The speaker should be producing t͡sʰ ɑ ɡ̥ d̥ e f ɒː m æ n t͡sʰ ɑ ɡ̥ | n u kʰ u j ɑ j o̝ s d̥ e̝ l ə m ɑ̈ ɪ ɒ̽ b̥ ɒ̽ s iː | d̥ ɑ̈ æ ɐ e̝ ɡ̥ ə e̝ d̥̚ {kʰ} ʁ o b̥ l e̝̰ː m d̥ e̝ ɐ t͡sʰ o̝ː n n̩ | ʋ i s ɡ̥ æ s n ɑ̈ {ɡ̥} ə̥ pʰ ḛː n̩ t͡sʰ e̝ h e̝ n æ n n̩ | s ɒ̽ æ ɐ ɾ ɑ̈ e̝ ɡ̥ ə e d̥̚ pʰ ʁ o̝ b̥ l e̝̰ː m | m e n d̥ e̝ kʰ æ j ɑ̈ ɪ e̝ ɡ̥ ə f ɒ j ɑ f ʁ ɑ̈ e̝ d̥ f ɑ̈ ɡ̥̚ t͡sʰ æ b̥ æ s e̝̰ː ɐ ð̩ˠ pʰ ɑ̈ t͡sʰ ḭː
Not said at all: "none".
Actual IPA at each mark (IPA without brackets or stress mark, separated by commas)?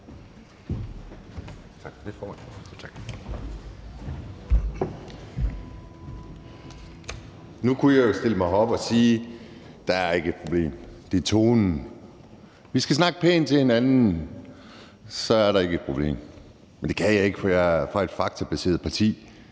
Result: pʰ, ɡ̥